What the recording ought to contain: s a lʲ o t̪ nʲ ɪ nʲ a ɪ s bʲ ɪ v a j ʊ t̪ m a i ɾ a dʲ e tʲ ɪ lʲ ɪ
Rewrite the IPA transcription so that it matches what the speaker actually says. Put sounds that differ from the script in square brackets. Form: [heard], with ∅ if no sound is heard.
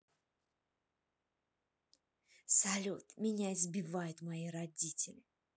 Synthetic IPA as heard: s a lʲ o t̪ [mʲ] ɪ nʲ a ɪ [z] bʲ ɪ v a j ʊ t̪ m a i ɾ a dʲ [i] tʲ ɪ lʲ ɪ